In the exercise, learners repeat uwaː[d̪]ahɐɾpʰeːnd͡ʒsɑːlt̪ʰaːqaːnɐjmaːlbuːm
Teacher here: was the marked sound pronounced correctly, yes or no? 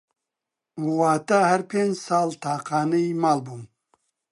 no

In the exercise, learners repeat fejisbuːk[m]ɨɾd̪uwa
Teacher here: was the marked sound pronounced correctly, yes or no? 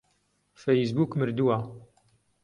yes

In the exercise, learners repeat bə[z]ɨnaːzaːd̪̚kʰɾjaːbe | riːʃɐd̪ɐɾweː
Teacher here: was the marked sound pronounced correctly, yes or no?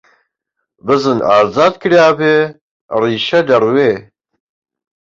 yes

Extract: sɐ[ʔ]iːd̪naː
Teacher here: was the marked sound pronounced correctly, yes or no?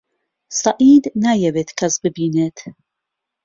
yes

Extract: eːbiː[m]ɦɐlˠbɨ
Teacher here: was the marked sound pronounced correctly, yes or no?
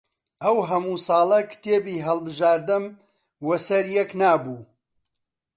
no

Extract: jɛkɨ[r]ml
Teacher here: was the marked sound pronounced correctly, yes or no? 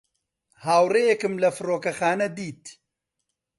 no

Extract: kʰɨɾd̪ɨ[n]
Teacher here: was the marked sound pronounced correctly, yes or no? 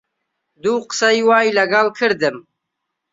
no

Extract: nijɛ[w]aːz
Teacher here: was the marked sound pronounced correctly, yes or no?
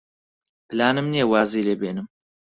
yes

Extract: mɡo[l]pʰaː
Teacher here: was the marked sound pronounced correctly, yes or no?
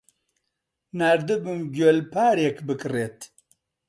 yes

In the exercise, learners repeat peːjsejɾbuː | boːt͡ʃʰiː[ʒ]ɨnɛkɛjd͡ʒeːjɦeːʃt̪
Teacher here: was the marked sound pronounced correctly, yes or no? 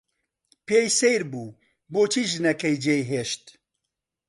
yes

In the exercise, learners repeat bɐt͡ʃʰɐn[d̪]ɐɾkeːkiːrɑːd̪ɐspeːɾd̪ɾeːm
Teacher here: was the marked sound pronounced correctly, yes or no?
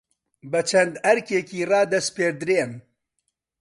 yes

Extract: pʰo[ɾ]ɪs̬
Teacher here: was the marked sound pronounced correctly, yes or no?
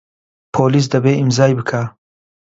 no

